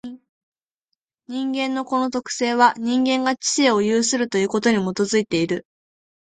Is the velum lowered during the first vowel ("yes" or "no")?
yes